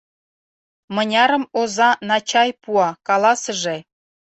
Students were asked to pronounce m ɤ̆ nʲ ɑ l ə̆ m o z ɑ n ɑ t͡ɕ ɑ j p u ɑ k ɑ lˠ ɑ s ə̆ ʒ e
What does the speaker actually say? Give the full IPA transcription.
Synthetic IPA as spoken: m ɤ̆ nʲ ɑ ɾ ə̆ m o z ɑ n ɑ t͡ɕ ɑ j p u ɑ k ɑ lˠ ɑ s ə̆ ʒ e